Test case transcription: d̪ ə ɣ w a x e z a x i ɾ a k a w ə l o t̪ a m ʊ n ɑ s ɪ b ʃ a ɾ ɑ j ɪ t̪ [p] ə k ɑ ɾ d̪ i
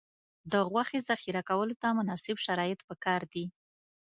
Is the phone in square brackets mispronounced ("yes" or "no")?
no